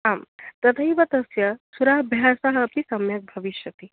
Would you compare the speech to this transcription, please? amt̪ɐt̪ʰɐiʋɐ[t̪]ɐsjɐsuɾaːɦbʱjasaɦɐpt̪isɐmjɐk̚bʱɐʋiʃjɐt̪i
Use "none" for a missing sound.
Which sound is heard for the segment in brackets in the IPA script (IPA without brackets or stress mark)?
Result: t̪